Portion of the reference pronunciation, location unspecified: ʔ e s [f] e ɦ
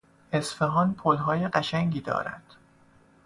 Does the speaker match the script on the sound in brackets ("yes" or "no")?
yes